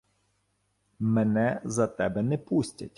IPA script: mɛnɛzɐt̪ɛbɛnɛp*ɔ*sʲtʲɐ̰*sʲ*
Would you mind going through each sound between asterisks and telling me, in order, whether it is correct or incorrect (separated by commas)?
incorrect, incorrect